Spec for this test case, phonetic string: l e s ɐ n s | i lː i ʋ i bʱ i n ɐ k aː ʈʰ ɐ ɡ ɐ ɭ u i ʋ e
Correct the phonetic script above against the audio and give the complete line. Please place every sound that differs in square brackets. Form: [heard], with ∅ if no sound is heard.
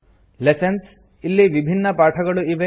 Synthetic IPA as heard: l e s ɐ n s | i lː i ʋ i bʱ i [nː] ɐ [p] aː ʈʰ ɐ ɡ ɐ ɭ u i ʋ e